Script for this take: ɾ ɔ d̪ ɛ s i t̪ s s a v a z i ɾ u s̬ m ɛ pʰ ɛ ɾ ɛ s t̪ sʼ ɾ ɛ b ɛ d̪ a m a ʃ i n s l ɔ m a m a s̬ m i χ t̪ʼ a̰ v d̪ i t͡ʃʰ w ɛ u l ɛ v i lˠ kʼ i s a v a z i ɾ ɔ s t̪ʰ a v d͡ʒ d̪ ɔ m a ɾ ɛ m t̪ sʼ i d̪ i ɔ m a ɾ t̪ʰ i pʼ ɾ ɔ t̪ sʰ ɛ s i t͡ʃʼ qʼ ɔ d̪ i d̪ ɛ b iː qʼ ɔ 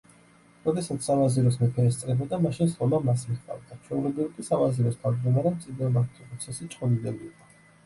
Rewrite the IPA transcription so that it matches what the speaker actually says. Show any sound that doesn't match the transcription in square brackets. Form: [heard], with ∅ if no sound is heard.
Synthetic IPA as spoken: ɾ ɔ d̪ ɛ s [a] t̪ s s a v a z i ɾ [ɔ] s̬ m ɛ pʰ ɛ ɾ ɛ s t̪ sʼ ɾ ɛ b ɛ d̪ a m a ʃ i n s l ɔ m a m a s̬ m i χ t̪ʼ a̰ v d̪ [a] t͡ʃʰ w ɛ u l ɛ [b] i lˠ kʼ i s a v a z i ɾ ɔ s t̪ʰ a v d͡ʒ d̪ ɔ m a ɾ ɛ m t̪ sʼ i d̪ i ɔ m a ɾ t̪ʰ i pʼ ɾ ɔ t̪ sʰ ɛ s i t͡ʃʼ qʼ ɔ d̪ i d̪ ɛ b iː qʼ ɔ